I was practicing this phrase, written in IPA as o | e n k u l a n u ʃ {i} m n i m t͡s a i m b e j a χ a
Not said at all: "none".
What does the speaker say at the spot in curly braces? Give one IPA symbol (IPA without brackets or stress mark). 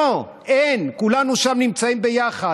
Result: a